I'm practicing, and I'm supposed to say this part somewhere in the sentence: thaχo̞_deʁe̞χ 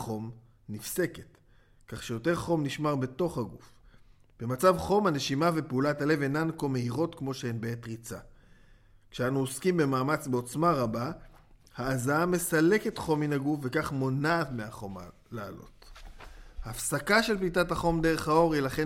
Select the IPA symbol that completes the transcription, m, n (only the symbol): m